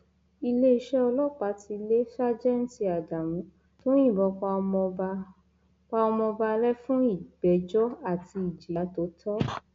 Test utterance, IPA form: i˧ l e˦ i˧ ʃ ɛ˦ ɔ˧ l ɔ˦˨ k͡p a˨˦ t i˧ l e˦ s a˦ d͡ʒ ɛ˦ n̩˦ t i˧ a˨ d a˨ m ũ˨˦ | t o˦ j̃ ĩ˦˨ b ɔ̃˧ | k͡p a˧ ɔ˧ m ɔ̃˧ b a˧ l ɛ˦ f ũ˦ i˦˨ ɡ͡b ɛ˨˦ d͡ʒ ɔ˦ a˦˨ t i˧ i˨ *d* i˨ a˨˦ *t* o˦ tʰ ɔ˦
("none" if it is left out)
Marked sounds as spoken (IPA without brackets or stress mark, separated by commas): d͡ʒ, t